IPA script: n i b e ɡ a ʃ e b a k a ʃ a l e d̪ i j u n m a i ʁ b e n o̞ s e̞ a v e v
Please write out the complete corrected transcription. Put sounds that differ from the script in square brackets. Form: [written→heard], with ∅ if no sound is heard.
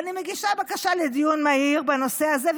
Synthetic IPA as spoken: n i [b→m] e ɡ [a→i] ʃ [e→a] b a k a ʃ a l e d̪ i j u n m a i ʁ b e n o̞ s e̞ a [v→z] e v